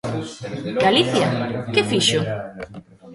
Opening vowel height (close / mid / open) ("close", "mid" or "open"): open